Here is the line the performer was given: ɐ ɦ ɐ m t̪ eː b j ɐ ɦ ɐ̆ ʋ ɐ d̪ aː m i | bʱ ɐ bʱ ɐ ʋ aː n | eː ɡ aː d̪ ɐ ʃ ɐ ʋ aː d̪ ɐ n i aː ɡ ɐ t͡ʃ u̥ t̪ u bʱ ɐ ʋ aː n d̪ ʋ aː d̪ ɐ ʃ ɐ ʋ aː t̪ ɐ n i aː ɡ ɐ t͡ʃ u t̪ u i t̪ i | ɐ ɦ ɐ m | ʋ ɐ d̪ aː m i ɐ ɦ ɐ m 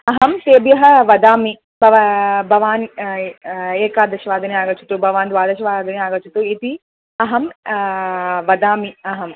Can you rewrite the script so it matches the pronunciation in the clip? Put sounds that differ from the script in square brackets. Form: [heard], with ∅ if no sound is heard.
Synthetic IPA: ɐ ɦ ɐ m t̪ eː b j ɐ ɦ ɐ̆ ʋ ɐ d̪ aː m i | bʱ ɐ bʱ ɐ ʋ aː n | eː [k] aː d̪ ɐ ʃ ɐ ʋ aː d̪ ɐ n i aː ɡ ɐ t͡ʃ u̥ t̪ u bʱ ɐ ʋ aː n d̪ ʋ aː d̪ ɐ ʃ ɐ ʋ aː [d̪] ɐ n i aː ɡ ɐ t͡ʃ u t̪ u i t̪ i | ɐ ɦ ɐ m | ʋ ɐ d̪ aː m i ɐ ɦ ɐ m